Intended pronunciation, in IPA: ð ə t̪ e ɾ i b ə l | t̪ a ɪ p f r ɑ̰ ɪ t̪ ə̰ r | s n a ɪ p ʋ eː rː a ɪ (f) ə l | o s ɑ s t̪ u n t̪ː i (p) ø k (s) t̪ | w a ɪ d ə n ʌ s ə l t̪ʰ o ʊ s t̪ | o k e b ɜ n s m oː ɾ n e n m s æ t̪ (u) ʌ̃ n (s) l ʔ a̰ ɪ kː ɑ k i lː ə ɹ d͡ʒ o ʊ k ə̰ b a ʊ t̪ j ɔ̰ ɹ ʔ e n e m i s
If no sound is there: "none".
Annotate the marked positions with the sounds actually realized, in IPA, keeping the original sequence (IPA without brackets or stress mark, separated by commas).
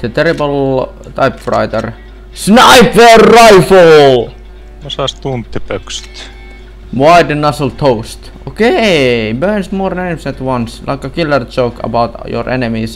f, p, s, w, s